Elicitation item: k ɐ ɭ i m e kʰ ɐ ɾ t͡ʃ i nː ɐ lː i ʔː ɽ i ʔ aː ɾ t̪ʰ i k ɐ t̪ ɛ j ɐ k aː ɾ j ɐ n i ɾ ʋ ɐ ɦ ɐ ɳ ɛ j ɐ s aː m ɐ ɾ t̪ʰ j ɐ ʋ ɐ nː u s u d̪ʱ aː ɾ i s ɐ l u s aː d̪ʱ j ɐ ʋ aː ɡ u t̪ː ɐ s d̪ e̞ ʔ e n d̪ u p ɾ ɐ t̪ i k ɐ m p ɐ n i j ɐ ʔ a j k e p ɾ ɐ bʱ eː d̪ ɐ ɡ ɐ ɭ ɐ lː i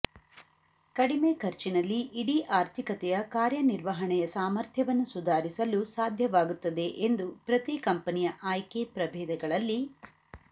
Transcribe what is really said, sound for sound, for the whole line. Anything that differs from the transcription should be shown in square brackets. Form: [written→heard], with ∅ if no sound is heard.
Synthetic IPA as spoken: k ɐ [ɭ→ɽ] i m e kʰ ɐ ɾ t͡ʃ i [nː→n] ɐ lː i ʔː ɽ i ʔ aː ɾ t̪ʰ i k ɐ t̪ ɛ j ɐ k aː ɾ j ɐ n i ɾ ʋ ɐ ɦ ɐ ɳ ɛ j ɐ s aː m ɐ ɾ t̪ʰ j ɐ ʋ ɐ nː u s u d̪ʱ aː ɾ i s ɐ l u s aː d̪ʱ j ɐ ʋ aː ɡ u t̪ː ɐ [s→∅] d̪ e̞ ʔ e n d̪ u p ɾ ɐ t̪ i k ɐ m p ɐ n i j ɐ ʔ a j k e p ɾ ɐ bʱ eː d̪ ɐ ɡ ɐ ɭ ɐ lː i